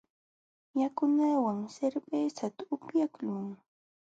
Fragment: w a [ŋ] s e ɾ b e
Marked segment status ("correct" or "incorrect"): correct